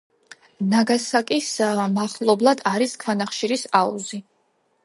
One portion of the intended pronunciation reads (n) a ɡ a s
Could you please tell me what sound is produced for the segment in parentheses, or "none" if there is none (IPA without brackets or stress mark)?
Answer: n